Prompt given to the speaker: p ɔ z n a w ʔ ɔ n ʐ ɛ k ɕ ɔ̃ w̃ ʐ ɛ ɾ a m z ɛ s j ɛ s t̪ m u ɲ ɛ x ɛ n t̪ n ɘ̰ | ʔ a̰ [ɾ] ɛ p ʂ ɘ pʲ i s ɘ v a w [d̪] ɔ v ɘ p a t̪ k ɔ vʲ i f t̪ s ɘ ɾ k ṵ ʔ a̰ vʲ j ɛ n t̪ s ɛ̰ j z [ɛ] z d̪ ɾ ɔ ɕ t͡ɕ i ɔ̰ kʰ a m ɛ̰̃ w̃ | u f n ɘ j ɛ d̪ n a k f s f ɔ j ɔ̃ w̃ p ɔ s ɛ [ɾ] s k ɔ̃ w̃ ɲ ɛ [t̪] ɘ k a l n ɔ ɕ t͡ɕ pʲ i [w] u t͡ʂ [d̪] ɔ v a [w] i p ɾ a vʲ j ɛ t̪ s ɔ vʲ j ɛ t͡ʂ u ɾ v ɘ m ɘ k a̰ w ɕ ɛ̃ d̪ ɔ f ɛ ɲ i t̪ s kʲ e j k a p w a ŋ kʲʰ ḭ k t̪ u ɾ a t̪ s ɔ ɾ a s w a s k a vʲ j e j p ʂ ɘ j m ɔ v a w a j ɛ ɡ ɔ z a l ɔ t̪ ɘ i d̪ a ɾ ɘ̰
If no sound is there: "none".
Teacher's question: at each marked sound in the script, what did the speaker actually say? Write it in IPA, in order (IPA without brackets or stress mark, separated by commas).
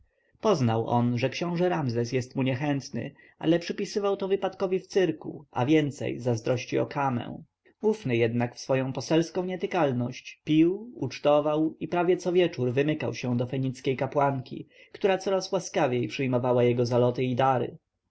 l, t̪, a, l, t̪, w, t̪, w